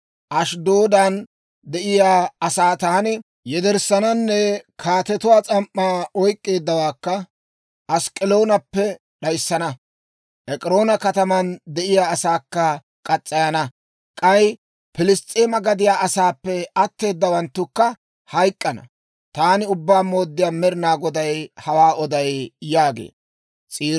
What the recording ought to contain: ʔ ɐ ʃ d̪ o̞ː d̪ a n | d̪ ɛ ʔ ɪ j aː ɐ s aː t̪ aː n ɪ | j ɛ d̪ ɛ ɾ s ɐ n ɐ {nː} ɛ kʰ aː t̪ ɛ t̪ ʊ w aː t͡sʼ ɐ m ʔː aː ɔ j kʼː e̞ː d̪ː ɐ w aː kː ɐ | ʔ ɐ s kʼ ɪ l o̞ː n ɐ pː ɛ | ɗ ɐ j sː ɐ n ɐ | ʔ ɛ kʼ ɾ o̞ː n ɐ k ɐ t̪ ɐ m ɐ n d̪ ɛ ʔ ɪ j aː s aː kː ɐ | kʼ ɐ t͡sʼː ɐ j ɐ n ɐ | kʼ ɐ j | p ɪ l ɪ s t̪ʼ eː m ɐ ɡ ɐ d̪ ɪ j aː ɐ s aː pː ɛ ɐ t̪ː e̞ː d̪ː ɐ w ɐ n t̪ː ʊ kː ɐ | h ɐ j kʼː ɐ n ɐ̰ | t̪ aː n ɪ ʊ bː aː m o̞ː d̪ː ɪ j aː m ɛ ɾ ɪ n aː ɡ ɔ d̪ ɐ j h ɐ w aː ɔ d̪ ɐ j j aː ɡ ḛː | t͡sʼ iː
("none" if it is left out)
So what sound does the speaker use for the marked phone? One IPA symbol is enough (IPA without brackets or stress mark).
nː